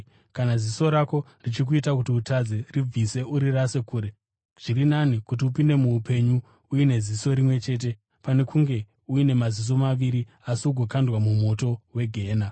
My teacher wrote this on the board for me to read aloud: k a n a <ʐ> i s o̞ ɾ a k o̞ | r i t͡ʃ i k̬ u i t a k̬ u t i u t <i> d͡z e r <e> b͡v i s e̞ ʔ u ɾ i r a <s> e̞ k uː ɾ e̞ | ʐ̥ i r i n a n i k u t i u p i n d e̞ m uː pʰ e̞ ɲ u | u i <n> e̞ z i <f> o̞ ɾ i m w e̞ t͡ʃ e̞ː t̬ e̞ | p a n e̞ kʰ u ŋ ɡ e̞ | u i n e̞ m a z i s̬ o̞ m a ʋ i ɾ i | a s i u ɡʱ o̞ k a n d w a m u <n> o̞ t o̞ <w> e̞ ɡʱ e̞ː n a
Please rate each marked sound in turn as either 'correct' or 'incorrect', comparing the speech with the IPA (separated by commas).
incorrect, incorrect, incorrect, correct, correct, incorrect, incorrect, correct